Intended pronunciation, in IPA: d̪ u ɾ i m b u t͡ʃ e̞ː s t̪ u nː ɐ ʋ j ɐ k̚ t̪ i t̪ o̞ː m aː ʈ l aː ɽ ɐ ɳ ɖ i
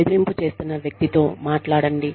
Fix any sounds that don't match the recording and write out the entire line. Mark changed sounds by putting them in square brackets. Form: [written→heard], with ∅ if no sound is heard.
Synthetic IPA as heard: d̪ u ɾ i m [b→p] u t͡ʃ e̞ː s t̪ u nː ɐ ʋ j ɐ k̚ t̪ i t̪ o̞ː m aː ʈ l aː ɽ ɐ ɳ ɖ i